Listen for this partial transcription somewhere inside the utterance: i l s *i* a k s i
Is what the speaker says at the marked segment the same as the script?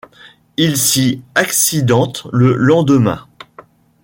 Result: yes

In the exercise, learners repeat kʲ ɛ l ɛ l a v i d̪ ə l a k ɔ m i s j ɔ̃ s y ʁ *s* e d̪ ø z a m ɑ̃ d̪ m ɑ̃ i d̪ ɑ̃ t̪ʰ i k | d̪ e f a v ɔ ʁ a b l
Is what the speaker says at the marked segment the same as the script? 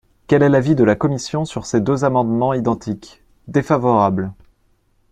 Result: yes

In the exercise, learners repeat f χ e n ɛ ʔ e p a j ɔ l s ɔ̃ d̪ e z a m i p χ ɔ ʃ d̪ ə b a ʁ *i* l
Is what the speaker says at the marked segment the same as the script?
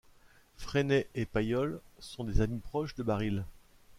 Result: yes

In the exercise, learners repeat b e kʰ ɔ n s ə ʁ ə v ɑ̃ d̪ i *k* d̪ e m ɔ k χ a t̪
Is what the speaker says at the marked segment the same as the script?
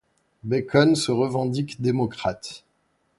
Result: yes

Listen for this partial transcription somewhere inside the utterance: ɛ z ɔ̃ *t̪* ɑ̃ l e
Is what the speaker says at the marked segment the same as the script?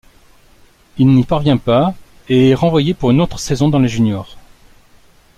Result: no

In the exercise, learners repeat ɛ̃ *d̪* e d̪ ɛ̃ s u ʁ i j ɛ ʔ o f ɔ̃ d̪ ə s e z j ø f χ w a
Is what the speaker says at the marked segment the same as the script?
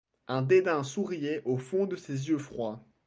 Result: yes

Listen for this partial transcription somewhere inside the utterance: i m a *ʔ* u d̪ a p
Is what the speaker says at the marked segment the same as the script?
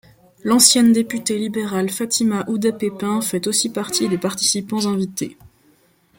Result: yes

